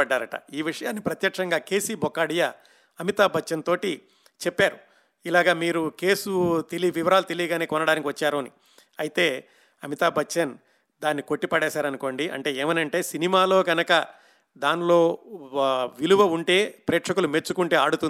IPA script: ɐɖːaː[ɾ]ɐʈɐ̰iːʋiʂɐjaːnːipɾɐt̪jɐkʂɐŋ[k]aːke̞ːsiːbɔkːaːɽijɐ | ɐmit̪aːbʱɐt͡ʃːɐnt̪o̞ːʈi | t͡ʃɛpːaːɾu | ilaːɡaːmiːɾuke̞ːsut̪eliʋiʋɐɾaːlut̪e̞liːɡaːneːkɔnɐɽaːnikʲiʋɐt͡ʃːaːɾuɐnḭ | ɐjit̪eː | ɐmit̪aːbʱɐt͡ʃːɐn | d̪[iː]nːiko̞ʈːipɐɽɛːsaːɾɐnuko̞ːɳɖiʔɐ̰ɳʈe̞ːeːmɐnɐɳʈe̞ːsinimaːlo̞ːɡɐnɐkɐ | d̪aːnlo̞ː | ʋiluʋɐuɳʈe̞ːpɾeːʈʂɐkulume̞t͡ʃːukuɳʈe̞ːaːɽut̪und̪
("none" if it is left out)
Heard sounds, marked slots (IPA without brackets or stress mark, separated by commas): ɾ, ɡ, aː